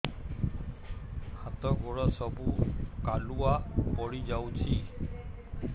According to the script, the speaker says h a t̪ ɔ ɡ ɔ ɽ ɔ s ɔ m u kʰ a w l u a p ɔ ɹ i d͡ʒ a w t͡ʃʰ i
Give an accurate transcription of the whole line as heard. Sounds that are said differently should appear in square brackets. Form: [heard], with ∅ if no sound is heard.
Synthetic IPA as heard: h a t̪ ɔ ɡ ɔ [ɹ] ɔ s ɔ [b] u [k] a [∅] l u a p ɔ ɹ i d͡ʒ a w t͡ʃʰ i